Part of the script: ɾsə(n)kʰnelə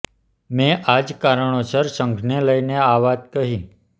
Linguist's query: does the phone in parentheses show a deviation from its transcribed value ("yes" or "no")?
yes